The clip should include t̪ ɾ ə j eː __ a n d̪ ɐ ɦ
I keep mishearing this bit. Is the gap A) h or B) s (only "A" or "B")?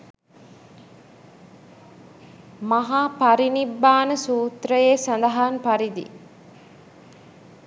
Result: B